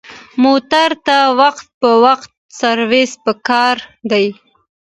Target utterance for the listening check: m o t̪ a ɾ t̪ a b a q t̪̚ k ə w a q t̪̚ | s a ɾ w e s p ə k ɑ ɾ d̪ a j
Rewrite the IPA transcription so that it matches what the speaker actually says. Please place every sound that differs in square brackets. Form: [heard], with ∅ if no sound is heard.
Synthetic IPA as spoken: m o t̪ a ɾ t̪ a [w] a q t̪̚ [p] ə w a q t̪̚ | s a ɾ w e s p ə k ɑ ɾ d̪ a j